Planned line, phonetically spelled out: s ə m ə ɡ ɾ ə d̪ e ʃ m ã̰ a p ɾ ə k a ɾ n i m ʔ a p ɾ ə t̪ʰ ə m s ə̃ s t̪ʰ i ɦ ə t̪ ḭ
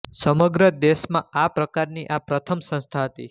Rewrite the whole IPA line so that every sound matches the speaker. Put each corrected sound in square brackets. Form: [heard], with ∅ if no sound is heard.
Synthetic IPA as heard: s ə m ə ɡ ɾ ə d̪ e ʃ m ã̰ a p ɾ ə k a ɾ n i [∅] ʔ a p ɾ ə t̪ʰ ə m s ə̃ s t̪ʰ [a] ɦ ə t̪ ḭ